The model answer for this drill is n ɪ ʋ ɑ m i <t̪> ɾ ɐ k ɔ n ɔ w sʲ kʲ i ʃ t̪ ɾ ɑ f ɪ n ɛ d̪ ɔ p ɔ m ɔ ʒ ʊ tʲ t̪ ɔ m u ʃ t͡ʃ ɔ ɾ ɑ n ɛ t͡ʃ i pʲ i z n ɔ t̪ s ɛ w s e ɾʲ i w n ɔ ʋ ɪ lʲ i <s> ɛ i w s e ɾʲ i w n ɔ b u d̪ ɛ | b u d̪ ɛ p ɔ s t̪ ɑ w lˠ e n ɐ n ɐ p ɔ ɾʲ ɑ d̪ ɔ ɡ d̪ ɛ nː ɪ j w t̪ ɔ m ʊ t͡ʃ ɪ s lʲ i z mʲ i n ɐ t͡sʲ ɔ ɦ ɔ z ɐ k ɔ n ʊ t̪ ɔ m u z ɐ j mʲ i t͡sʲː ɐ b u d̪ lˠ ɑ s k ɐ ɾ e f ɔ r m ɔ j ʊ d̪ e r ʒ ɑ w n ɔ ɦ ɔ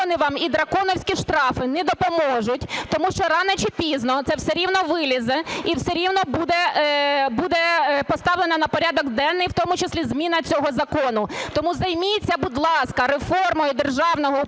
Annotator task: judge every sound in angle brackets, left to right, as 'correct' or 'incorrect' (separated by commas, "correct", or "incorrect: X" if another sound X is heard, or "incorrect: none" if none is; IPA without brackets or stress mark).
incorrect: d̪, incorrect: z